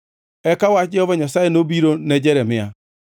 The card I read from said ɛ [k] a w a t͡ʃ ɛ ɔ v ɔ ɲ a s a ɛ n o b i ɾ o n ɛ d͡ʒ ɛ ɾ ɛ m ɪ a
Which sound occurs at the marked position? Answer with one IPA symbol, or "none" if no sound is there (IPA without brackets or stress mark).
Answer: k